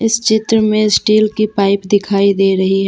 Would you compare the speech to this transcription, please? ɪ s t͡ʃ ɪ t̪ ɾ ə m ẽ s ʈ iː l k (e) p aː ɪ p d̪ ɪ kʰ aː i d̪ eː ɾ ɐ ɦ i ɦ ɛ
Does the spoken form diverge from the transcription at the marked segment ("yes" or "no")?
yes